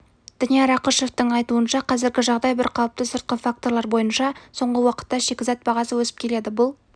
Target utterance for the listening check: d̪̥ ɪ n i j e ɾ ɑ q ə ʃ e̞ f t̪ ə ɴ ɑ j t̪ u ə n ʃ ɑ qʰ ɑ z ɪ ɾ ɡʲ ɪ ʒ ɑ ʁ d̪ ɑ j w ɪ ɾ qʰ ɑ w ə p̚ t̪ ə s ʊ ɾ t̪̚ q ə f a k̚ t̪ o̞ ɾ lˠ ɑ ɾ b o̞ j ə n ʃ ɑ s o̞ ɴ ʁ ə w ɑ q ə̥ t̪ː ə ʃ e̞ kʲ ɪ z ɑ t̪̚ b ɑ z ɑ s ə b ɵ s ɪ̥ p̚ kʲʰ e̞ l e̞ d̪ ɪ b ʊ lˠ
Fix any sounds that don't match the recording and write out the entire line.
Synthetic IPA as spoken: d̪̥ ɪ n i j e ɾ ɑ q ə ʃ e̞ f t̪ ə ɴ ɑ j t̪ u ə n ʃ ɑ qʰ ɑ z ɪ ɾ ɡʲ ɪ ʒ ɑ ʁ d̪ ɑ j b ɪ ɾ qʰ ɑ w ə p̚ t̪ ə s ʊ ɾ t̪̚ q ə f a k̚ t̪ o̞ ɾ lˠ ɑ ɾ b o̞ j ə n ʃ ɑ s o̞ ɴ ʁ ə w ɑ q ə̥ t̪ː ɑ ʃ e̞ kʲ ɪ z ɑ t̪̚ b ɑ ʁ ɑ s ə w ɵ s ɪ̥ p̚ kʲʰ e̞ l e̞ d̪ ɪ b ʊ lˠ